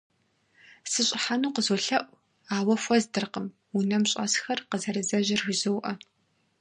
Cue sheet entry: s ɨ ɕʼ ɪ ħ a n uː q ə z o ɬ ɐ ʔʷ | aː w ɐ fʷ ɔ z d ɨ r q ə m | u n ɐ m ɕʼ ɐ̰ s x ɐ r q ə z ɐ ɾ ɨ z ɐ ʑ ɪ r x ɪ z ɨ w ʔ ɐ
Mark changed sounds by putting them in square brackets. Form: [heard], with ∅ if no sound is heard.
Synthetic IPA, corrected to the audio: s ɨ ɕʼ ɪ ħ a n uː q ə z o ɬ ɐ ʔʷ | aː w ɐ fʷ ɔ z d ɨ r q ə m | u n ɐ m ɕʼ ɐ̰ s x ɐ r q ə z ɐ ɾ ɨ z ɐ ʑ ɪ r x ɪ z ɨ w ʔ ɐ

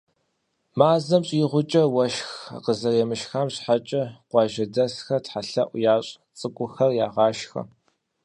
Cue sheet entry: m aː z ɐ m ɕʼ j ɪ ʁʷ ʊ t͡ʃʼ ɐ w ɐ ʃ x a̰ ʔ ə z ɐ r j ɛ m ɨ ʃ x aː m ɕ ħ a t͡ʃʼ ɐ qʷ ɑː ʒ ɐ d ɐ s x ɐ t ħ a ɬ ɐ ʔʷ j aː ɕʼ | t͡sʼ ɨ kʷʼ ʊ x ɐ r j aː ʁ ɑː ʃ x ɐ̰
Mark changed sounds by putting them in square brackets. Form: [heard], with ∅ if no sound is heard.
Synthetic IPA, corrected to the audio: m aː z ɐ m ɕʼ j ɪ ʁʷ ʊ t͡ʃʼ ɐ w ɐ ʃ x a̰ [q] ə z ɐ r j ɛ m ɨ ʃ x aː m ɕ ħ a t͡ʃʼ ɐ qʷ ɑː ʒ ɐ d ɐ s x ɐ t ħ a ɬ ɐ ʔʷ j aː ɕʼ | t͡sʼ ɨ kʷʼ ʊ x ɐ r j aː ʁ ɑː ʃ x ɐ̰

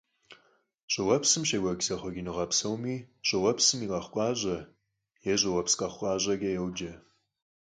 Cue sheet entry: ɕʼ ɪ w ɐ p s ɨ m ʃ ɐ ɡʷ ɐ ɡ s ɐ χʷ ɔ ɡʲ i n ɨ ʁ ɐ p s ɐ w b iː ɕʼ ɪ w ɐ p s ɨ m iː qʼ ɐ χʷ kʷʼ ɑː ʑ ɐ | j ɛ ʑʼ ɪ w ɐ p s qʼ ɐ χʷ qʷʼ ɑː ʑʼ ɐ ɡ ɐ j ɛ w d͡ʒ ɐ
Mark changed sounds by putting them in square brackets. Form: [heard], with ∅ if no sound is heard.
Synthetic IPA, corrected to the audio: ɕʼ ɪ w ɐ p s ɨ m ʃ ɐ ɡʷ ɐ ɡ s ɐ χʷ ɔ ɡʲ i n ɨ ʁ ɐ p s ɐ w [m] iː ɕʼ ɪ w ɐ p s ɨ m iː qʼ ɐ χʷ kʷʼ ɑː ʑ ɐ | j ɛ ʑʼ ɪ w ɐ p s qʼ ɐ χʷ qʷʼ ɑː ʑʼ ɐ ɡ ɐ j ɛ w d͡ʒ ɐ

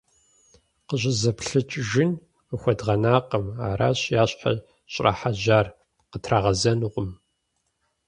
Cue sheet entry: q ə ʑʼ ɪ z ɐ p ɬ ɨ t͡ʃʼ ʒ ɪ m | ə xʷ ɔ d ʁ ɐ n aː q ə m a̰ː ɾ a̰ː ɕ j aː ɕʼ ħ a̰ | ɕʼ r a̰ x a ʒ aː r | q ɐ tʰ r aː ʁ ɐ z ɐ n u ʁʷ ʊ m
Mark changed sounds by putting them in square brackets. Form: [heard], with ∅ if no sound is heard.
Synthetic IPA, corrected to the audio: q ə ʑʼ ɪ z ɐ p ɬ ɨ t͡ʃʼ ʒ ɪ [n] | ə xʷ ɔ d ʁ ɐ n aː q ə m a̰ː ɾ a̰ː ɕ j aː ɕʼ ħ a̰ | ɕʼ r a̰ [ħ] a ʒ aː r | q [ə] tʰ r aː ʁ ɐ z ɐ n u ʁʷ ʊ m

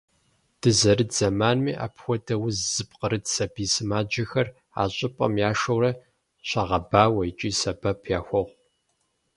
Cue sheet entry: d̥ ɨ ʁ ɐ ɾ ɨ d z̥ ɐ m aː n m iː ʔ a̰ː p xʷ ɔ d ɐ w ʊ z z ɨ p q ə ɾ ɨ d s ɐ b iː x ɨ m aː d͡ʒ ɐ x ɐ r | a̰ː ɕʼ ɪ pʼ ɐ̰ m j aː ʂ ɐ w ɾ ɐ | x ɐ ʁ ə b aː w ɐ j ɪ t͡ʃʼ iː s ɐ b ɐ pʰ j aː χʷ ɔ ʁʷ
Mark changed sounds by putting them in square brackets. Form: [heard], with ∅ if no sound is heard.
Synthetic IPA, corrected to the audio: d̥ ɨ [z] ɐ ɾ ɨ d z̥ ɐ m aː n m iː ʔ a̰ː p xʷ ɔ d ɐ w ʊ z z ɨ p q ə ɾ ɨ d s ɐ b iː [s] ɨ m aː d͡ʒ ɐ x ɐ r | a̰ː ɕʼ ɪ pʼ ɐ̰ m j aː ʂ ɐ w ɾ ɐ | [ɕ] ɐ ʁ [ɐ] b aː w ɐ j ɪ t͡ʃʼ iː s ɐ b ɐ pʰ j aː [xʷ] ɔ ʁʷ

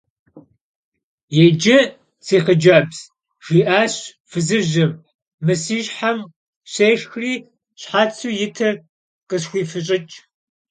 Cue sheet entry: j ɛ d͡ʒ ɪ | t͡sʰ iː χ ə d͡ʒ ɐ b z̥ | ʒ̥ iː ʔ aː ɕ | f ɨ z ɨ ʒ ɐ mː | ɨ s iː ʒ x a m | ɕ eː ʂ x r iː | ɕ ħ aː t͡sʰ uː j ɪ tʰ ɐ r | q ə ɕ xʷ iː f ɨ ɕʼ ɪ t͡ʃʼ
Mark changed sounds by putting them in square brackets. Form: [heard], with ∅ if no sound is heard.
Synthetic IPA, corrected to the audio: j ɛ d͡ʒ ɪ | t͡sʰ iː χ ə d͡ʒ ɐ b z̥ | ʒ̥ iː ʔ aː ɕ | f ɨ z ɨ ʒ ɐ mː | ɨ s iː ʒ [ħ] a m | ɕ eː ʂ x r iː | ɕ ħ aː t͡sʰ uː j ɪ tʰ ɐ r | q ə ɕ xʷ iː f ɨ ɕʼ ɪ t͡ʃʼ

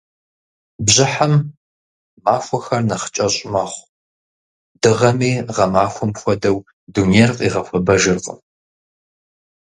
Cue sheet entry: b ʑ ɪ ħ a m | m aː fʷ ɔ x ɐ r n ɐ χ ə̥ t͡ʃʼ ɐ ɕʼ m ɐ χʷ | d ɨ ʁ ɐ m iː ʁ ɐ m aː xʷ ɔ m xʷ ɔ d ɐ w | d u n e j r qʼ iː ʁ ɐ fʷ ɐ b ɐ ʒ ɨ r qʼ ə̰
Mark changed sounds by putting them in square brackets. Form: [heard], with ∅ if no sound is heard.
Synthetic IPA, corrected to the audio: b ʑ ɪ ħ a m | m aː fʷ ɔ x ɐ r n ɐ χ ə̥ t͡ʃʼ ɐ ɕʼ m ɐ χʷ | d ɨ ʁ ɐ m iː ʁ ɐ m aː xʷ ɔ m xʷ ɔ d ɐ w | d u n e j r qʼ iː ʁ ɐ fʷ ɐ b ɐ ʒ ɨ r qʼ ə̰

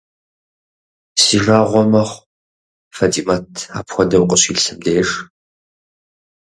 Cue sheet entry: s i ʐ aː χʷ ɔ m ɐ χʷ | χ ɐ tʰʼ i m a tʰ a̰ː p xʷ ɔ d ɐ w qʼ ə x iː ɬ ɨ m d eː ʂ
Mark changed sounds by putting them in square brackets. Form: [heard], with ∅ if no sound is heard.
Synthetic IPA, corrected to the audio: s i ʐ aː [ʁʷ] ɔ m ɐ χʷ | [f] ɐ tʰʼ i m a tʰ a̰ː p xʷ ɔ d ɐ w qʼ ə [ɕ] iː ɬ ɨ m d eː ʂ

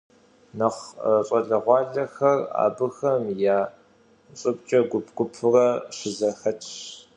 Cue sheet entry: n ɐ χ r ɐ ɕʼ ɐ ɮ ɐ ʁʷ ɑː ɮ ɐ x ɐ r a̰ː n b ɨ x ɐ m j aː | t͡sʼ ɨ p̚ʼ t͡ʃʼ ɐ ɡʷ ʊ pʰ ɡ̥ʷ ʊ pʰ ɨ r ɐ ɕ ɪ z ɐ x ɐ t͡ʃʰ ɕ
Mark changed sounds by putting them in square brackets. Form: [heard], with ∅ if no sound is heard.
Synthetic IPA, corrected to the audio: n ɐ χ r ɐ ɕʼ ɐ ɮ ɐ ʁʷ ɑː ɮ ɐ x ɐ r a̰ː [∅] b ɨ x ɐ m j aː | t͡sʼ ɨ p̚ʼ t͡ʃʼ ɐ ɡʷ ʊ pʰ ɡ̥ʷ ʊ pʰ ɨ r ɐ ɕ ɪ z ɐ x ɐ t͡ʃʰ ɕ

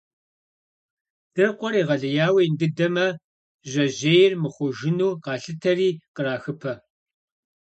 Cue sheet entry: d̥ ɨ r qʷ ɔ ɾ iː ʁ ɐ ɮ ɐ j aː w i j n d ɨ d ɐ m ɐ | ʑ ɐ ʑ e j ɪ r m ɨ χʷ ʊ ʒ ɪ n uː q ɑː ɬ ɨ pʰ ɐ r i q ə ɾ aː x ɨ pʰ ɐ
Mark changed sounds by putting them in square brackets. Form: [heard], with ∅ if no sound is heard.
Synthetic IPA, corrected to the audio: d̥ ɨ r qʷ ɔ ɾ iː ʁ ɐ ɮ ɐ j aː w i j n d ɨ d ɐ m ɐ | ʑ ɐ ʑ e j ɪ r m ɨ χʷ ʊ ʒ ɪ n uː q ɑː ɬ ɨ [tʰ] ɐ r [iː] q ə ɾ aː x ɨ pʰ ɐ

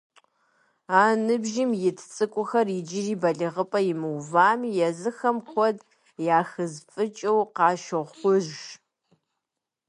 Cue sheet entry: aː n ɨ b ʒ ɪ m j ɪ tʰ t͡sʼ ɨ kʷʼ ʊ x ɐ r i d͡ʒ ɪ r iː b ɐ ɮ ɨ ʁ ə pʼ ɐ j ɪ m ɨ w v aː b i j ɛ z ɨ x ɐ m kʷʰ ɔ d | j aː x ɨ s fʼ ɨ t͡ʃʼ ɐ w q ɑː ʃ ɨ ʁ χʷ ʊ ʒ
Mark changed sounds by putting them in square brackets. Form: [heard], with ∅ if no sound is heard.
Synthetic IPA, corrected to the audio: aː n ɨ b ʒ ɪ m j ɪ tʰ t͡sʼ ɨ kʷʼ ʊ x ɐ r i d͡ʒ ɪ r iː b ɐ ɮ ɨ ʁ ə pʼ ɐ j ɪ m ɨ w v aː [m] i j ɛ z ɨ x ɐ m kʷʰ ɔ d | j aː x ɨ [z] fʼ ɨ t͡ʃʼ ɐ w q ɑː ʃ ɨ ʁ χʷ ʊ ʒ

